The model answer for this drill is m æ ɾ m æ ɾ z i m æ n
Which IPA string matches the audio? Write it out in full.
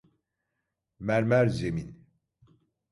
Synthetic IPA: m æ ɾ m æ ɾ z e m i n